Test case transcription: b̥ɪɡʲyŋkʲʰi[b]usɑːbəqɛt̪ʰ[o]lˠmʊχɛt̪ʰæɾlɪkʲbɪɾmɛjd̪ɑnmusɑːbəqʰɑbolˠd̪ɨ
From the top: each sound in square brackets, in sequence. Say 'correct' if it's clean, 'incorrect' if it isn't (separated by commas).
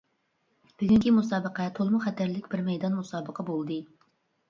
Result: incorrect, correct